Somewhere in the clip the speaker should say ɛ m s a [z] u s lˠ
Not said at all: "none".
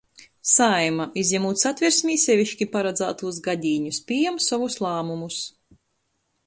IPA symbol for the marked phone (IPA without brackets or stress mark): v